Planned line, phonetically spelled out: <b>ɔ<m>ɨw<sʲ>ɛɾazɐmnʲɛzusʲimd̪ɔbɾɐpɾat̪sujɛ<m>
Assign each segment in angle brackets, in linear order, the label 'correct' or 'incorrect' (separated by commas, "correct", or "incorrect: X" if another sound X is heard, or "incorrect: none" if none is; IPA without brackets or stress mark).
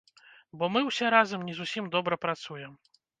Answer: correct, correct, correct, correct